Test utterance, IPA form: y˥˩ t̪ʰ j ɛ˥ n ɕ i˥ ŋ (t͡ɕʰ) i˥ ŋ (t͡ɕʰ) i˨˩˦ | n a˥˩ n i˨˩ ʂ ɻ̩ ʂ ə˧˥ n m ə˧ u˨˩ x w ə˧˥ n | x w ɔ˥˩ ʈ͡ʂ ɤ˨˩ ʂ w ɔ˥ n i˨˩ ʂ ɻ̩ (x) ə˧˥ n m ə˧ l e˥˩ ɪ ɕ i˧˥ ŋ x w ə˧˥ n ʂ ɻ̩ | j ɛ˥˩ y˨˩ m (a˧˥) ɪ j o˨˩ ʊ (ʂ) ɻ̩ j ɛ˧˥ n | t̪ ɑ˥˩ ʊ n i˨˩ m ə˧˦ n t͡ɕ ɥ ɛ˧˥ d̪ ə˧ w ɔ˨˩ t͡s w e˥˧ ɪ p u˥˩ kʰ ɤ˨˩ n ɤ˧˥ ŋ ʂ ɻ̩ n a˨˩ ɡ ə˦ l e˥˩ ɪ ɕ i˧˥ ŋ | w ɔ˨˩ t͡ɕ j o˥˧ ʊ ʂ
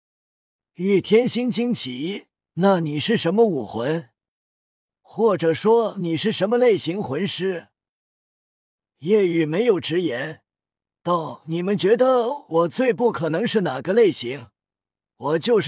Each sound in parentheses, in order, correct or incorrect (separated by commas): incorrect, correct, incorrect, incorrect, incorrect